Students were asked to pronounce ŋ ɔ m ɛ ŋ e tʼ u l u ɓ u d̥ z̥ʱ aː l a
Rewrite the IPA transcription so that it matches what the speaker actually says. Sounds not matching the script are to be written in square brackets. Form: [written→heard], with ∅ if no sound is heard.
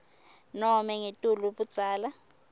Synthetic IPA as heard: [ŋ→n] ɔ m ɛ ŋ e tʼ u l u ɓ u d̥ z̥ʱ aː l a